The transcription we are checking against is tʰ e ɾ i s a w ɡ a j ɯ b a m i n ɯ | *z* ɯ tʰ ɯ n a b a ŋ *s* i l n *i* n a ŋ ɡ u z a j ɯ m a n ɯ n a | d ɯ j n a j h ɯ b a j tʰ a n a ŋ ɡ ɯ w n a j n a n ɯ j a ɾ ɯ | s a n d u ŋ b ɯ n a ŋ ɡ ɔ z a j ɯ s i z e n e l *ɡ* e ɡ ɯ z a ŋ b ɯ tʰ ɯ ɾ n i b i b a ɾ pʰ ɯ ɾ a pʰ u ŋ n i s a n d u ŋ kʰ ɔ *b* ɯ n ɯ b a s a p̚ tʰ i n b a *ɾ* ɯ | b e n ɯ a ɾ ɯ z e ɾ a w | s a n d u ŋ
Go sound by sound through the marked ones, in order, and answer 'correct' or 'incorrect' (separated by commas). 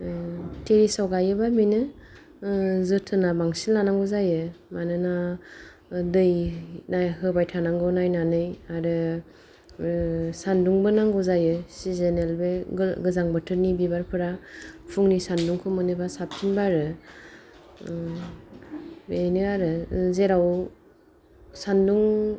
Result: correct, correct, incorrect, incorrect, incorrect, correct